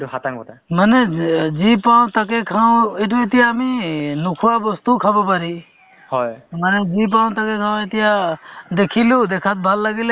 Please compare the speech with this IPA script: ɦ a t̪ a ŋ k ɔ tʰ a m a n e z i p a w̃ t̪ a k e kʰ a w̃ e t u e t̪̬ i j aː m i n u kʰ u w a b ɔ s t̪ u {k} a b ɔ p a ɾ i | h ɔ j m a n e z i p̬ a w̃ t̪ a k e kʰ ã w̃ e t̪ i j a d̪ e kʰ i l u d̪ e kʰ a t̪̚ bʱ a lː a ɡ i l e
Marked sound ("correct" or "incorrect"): incorrect